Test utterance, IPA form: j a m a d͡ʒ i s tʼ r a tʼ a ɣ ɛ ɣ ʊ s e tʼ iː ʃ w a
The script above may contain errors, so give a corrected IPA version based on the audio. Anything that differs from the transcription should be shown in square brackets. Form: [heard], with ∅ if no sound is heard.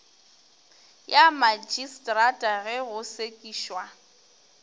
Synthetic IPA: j a m a d͡ʒ i s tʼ r a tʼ a ɣ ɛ ɣ ʊ s e [kʼ] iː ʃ w a